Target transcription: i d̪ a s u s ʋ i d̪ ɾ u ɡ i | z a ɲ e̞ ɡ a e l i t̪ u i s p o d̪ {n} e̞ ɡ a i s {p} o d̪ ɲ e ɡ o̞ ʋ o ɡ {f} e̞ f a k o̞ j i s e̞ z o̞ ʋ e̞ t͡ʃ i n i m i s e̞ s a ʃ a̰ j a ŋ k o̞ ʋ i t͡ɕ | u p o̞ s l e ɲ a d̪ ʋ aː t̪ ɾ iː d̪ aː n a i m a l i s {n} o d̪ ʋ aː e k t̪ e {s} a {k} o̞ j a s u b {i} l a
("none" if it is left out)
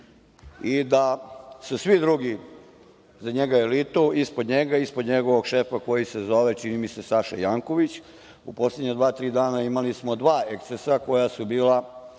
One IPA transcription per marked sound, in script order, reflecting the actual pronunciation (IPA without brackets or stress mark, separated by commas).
ɲ, p, ʃ, m, s, k, iː